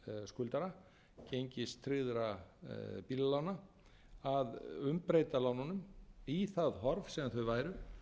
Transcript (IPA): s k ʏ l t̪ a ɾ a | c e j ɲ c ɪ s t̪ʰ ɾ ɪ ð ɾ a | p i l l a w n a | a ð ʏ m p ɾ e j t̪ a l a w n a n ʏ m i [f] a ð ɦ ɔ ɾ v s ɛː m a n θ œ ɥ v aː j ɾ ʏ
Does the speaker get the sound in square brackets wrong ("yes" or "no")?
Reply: yes